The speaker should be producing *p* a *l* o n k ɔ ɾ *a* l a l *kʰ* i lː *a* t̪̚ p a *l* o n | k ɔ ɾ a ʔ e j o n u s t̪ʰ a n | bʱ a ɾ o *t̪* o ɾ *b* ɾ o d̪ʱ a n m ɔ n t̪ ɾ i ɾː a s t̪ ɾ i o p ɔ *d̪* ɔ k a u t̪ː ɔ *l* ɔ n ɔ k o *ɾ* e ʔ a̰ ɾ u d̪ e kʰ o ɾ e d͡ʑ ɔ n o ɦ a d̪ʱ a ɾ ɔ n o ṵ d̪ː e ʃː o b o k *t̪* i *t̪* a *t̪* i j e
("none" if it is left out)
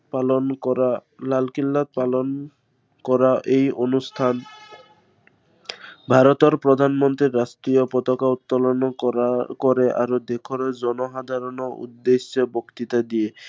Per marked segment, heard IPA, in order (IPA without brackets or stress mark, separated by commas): p, l, a, k, a, l, t̪, p, t̪, l, ɾ, t̪, t̪, d̪